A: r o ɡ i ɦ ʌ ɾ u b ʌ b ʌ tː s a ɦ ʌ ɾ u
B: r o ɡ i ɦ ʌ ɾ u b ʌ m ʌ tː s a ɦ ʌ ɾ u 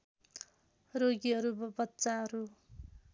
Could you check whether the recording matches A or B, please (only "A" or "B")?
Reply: A